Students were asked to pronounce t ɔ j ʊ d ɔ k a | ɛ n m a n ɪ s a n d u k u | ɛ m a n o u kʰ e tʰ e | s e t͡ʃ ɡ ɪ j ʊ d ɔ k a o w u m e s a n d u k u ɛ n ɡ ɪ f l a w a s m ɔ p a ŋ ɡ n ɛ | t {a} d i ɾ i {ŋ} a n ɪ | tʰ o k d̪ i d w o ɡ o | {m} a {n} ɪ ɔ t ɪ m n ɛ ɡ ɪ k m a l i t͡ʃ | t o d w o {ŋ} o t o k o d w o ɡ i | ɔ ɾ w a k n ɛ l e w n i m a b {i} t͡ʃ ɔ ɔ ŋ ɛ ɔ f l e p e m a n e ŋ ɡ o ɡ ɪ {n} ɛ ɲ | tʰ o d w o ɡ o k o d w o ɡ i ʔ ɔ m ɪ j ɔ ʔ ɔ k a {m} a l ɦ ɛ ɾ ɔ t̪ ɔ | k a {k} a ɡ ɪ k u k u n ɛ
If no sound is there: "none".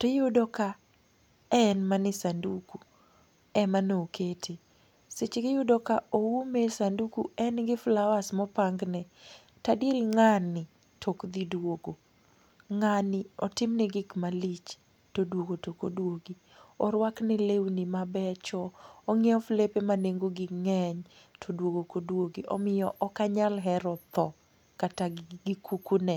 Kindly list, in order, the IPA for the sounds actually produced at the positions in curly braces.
a, ŋ, ŋ, n, ɡ, ɛ, ŋ, ɲ, t

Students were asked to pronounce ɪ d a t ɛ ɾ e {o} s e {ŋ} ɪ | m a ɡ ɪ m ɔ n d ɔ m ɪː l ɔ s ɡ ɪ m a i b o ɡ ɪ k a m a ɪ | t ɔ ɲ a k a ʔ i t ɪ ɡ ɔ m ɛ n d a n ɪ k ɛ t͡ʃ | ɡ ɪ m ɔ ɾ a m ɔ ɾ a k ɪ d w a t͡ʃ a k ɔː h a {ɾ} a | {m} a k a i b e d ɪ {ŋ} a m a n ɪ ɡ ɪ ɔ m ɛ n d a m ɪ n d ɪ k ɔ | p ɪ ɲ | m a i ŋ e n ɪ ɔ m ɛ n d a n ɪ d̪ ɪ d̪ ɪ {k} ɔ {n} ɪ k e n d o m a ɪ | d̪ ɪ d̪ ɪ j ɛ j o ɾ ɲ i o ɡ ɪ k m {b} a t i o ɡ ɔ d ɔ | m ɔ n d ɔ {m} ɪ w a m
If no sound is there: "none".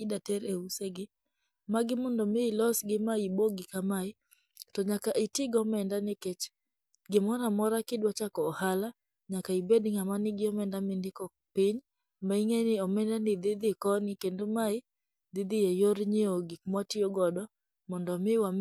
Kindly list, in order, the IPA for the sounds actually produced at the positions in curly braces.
u, ɡ, l, ɲ, ŋ, k, n, w, m

